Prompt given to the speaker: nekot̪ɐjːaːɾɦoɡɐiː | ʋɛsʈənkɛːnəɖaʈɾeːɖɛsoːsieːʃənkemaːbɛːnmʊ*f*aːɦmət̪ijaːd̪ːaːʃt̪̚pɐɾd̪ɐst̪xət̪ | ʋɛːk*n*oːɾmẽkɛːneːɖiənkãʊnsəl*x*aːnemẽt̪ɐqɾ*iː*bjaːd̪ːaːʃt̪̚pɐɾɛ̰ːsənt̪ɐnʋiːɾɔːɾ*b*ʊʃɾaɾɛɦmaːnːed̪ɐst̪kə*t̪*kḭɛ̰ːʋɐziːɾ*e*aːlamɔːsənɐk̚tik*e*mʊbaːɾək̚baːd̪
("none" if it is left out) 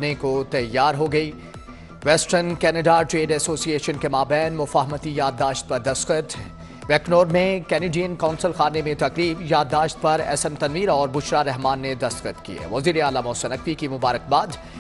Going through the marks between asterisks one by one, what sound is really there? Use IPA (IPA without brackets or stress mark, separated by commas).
f, n, x, iː, b, t̪, e, i